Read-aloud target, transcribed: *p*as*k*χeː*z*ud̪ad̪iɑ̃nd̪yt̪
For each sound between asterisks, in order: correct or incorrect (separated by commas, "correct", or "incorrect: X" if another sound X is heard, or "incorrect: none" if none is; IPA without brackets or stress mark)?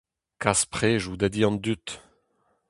incorrect: k, incorrect: p, incorrect: ʒ